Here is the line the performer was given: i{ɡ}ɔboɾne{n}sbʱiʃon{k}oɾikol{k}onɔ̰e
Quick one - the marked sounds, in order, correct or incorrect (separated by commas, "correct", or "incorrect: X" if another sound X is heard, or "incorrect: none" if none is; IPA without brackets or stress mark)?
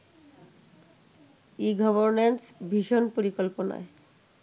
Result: correct, correct, incorrect: p, incorrect: p